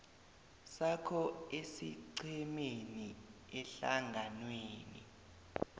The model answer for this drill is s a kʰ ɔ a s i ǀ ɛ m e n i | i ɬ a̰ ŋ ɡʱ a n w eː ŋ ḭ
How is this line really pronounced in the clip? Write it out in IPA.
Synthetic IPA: s a kʰ ɔ e s i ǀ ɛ m e n i | ɛ ɬ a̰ ŋ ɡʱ a n w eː n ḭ